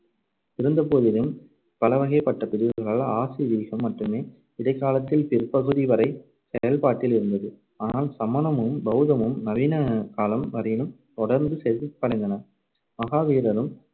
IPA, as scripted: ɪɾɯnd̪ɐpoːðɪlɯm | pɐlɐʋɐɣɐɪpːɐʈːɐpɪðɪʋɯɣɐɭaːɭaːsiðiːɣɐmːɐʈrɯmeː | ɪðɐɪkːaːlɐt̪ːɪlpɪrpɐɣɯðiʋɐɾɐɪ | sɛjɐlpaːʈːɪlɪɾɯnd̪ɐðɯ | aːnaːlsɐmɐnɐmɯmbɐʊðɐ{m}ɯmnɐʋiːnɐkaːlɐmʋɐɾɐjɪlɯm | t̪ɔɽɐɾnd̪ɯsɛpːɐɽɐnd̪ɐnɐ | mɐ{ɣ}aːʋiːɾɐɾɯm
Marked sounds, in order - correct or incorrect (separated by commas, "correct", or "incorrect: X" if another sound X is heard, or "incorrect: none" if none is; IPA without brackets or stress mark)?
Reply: correct, correct